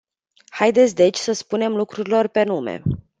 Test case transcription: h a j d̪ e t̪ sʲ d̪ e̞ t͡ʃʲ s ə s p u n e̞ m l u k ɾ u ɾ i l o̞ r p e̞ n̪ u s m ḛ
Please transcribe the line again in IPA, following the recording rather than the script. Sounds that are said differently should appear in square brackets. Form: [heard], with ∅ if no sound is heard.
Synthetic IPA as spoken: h a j d̪ e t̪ sʲ d̪ e̞ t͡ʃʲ s ə s p u n e̞ m l u k ɾ u ɾ i l o̞ r p e̞ n̪ u [∅] m ḛ